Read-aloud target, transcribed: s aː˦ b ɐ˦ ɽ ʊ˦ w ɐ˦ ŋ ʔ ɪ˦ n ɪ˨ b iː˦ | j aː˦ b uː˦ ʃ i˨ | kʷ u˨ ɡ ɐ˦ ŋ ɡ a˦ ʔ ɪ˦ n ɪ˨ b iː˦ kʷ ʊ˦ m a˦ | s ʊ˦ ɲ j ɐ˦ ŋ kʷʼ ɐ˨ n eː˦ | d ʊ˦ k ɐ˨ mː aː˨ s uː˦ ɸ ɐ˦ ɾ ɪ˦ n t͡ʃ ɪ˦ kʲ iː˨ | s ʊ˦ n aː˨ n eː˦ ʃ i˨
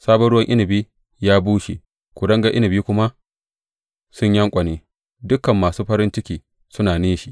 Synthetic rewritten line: s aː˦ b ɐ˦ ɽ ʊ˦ w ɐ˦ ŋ ʔ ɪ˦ n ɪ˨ b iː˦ | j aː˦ b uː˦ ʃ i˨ | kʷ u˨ d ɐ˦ ŋ ɡ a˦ ʔ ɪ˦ n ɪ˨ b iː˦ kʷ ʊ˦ m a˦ | s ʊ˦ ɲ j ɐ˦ ŋ kʷʼ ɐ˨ n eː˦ | d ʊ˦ k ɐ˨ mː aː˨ s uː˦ ɸ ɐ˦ ɾ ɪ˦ n t͡ʃ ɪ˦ kʲ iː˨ | s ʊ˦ n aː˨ n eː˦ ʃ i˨